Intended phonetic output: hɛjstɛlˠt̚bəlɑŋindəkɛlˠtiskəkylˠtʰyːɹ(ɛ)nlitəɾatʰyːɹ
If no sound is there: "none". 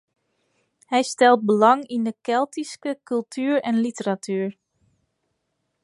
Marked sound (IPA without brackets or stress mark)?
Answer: ɛ